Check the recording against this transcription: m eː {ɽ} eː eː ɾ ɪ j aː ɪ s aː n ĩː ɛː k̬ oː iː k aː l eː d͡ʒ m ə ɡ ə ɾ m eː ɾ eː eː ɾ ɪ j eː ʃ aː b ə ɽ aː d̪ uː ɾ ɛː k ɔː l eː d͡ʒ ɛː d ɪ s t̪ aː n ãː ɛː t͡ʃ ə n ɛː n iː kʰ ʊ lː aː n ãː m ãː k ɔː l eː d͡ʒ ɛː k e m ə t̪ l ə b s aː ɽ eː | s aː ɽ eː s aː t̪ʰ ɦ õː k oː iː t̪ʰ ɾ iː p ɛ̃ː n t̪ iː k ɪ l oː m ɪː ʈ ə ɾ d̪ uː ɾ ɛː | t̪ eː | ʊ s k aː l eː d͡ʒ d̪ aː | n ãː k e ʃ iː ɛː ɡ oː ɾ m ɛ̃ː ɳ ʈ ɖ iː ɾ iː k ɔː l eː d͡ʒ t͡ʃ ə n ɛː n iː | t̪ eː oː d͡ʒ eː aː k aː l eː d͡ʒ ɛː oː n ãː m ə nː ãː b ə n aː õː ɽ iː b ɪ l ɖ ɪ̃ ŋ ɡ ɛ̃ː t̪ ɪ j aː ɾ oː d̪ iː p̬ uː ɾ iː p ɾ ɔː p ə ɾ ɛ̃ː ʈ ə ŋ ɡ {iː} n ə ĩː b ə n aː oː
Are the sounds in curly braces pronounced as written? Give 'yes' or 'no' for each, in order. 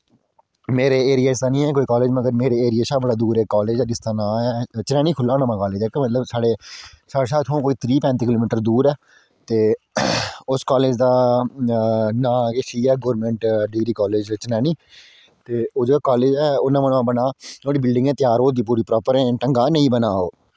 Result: no, no

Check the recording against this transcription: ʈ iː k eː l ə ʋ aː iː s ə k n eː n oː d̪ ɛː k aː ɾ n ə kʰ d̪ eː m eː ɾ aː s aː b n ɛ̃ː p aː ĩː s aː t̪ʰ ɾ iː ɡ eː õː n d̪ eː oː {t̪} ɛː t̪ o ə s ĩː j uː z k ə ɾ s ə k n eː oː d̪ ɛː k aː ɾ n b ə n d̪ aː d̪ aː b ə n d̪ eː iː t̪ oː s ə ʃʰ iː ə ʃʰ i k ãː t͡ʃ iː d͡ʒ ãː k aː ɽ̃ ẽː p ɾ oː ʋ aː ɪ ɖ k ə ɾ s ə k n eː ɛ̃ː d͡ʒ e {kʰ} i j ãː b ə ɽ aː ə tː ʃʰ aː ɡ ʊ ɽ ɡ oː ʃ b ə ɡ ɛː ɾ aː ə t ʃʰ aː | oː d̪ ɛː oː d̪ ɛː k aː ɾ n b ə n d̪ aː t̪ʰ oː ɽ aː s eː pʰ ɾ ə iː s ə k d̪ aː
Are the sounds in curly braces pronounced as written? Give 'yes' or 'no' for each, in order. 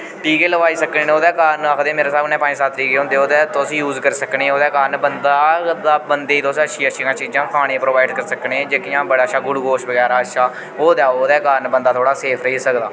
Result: no, no

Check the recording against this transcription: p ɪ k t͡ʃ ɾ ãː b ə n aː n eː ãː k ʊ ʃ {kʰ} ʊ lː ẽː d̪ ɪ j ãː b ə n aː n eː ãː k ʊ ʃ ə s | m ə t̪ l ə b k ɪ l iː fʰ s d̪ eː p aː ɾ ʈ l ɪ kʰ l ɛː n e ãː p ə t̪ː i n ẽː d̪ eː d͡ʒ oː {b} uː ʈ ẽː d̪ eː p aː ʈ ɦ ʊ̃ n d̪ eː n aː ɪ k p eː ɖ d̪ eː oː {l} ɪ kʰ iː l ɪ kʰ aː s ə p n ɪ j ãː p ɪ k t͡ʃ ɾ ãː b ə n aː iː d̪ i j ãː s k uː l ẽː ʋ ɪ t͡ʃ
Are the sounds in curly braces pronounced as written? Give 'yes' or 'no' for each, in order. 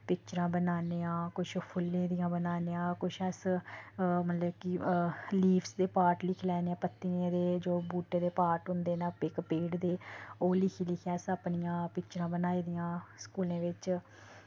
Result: no, yes, yes

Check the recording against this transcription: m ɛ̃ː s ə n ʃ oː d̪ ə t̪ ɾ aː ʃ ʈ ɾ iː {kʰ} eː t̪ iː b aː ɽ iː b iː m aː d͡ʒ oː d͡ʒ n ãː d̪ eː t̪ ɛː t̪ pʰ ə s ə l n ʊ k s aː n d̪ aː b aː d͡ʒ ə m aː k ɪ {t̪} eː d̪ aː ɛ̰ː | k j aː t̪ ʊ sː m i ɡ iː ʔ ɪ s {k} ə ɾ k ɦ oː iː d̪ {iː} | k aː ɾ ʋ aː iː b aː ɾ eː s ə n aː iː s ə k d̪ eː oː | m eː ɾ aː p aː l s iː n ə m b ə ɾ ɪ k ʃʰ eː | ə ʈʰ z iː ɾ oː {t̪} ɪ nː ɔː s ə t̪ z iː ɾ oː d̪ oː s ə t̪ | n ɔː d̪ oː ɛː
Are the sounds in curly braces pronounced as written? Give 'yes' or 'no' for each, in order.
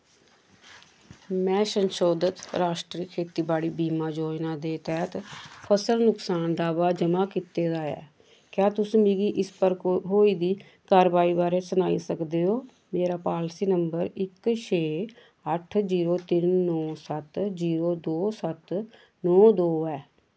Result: yes, yes, no, yes, yes

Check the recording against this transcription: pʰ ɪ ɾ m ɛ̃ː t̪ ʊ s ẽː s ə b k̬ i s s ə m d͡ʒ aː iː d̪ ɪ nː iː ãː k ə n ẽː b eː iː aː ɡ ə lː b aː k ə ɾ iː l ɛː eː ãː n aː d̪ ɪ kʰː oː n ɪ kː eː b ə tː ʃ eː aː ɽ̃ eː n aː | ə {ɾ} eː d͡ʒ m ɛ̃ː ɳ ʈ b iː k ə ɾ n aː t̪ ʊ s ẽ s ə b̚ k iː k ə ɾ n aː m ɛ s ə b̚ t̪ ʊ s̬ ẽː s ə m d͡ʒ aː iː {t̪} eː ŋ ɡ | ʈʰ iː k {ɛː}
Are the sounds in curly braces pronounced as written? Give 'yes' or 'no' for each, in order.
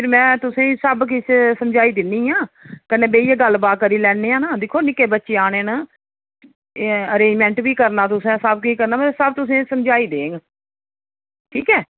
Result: yes, no, yes

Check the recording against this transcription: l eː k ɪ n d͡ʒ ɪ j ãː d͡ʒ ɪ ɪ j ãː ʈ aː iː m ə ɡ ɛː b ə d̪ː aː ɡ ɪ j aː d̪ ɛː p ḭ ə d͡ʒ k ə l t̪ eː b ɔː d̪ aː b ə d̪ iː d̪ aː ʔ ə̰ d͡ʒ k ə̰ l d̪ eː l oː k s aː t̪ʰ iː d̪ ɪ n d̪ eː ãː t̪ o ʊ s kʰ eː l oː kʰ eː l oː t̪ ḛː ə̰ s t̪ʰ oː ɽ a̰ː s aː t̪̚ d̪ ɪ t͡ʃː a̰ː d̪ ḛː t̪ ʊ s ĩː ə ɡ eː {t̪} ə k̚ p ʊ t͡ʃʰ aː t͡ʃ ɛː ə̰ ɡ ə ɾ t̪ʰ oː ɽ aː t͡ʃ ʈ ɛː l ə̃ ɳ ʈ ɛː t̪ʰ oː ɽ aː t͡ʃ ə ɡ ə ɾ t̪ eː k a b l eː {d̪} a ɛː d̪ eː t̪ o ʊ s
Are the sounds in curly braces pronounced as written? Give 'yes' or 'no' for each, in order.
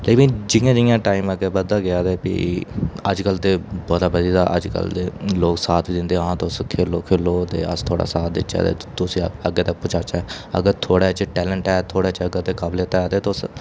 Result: yes, no

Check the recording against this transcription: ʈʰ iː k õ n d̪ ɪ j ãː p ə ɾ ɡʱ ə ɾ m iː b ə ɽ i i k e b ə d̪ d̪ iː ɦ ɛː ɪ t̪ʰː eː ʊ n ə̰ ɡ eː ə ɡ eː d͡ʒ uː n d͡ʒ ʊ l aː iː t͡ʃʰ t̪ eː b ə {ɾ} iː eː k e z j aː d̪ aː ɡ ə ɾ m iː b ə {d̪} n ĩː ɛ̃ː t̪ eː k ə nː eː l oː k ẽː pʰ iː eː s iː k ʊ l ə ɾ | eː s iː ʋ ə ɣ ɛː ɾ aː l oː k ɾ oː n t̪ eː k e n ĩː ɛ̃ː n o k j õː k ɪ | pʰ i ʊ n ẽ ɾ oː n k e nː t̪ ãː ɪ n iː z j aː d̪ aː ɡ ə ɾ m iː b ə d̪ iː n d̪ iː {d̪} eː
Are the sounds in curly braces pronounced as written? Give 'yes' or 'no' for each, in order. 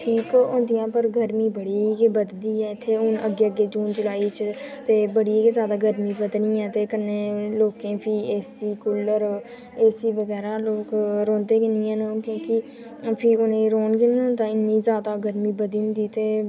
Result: no, yes, no

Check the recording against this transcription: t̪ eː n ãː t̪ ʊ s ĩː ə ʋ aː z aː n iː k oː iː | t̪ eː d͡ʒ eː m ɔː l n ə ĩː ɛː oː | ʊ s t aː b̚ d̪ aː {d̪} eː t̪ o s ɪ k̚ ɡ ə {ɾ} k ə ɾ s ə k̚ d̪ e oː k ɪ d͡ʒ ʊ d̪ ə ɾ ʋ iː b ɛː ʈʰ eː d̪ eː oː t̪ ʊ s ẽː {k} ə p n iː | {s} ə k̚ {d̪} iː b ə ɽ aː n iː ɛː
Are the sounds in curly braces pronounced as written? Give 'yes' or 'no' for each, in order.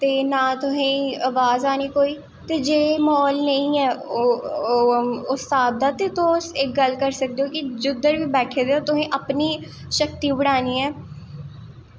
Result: no, no, no, no, no

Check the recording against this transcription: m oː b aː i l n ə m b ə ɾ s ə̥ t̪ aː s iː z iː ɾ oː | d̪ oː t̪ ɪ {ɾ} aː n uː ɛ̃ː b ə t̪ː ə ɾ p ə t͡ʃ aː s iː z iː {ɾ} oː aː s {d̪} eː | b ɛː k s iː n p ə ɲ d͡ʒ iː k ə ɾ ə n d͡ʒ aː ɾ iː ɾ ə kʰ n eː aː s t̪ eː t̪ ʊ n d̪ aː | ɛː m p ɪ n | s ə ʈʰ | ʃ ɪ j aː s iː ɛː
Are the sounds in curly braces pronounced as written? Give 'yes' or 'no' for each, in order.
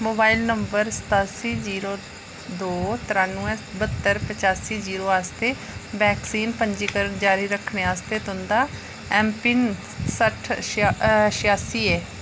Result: yes, yes, no

